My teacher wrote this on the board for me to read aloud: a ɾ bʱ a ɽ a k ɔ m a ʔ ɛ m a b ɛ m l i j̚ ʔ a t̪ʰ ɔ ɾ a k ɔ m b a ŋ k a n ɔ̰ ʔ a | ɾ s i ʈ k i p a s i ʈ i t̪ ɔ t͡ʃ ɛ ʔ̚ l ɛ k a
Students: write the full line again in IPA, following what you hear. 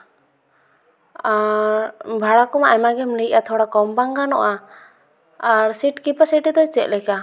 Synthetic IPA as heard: a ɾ bʱ a ɽ a k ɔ m a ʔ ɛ m a ɡ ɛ m l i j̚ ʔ a t̪ʰ ɔ ɽ a k ɔ m b a ŋ ɡ a n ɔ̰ ʔ a | ɾ s i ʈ k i p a s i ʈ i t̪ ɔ t͡ʃ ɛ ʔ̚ l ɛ k a